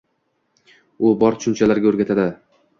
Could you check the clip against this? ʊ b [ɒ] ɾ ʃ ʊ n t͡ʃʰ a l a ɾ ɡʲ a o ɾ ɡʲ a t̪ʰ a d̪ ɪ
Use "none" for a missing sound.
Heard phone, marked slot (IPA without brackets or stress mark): ɒ